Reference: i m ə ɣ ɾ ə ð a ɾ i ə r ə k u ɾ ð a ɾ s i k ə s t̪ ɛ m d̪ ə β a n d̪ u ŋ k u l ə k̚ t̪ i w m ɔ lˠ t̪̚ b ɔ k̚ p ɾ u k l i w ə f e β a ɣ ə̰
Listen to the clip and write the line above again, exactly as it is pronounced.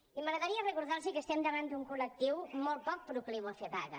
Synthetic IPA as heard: i m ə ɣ ɾ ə ð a ɾ i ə r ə k u ɾ ð a ɾ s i k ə s t̪ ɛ m d̪ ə β a n d̪ u ŋ k u l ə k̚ t̪ i w m ɔ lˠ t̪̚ p ɔ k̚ p ɾ u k l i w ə f e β a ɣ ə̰